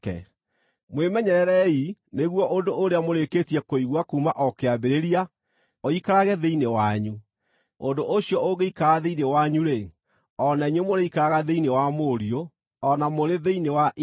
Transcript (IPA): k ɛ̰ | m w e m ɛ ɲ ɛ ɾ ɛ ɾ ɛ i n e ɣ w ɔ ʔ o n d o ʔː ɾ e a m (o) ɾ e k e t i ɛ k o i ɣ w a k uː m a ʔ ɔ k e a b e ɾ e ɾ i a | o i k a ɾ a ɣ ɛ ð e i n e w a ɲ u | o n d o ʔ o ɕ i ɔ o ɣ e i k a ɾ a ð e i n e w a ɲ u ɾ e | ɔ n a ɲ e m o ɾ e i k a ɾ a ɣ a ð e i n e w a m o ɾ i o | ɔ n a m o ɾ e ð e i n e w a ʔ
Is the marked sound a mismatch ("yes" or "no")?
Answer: no